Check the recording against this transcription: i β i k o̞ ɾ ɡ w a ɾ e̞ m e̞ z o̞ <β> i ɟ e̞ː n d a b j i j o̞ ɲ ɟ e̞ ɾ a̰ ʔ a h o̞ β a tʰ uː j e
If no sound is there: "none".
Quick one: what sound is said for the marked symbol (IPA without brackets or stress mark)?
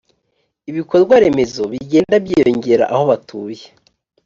β